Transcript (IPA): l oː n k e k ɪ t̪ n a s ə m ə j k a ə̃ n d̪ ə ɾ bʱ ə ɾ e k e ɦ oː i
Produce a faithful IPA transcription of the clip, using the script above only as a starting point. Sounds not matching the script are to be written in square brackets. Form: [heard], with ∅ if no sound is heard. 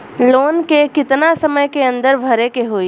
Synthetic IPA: l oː n k e k ɪ t̪ n a s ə m ə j k [e] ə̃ n d̪ ə ɾ bʱ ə ɾ e k e ɦ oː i